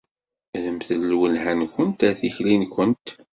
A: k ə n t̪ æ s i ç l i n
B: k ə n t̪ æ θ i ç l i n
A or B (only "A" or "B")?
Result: B